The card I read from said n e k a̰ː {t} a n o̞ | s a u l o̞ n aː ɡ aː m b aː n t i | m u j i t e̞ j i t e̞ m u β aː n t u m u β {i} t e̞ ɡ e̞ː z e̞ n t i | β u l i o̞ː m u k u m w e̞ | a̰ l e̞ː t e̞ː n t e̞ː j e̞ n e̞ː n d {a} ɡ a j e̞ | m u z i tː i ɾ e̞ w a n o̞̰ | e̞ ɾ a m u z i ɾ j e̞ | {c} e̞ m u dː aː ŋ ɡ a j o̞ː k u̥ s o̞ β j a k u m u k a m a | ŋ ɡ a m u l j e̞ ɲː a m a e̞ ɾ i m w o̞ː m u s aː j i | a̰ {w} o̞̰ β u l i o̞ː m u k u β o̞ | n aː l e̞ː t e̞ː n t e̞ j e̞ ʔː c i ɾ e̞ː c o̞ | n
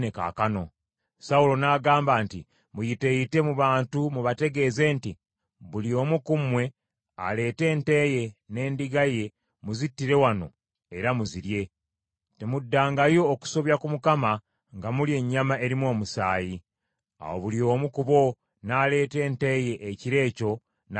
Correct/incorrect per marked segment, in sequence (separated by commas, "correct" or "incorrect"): incorrect, incorrect, incorrect, incorrect, correct